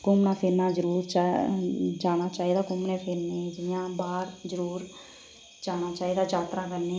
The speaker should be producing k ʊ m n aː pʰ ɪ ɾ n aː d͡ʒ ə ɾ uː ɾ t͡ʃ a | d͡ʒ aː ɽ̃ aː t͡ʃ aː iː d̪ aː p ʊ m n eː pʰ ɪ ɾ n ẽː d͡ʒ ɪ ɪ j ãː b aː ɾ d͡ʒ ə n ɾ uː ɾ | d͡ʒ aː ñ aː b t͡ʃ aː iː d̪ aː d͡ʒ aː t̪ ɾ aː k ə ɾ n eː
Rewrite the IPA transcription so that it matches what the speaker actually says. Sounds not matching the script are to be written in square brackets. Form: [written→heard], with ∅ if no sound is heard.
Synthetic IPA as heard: k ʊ m n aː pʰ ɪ ɾ n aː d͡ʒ ə ɾ uː ɾ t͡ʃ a | d͡ʒ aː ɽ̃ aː t͡ʃ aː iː d̪ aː [p→k] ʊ m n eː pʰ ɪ ɾ n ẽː d͡ʒ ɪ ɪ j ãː b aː ɾ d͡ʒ ə [n→∅] ɾ uː ɾ | d͡ʒ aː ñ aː [b→∅] t͡ʃ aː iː d̪ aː d͡ʒ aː t̪ ɾ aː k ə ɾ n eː